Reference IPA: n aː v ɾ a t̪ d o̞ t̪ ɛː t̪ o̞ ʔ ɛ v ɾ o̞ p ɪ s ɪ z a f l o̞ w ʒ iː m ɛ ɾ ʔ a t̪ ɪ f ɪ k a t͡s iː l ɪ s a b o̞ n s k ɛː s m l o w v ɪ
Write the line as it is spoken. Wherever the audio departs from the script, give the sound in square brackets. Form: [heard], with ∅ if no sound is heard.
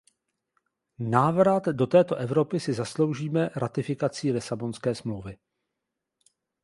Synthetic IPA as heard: n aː v ɾ a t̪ d o̞ t̪ ɛː t̪ o̞ ʔ ɛ v ɾ o̞ p ɪ s ɪ z a [s] l o̞ w ʒ iː m ɛ ɾ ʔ a t̪ ɪ f ɪ k a t͡s iː l ɪ s a b o̞ n s k ɛː s m l o w v ɪ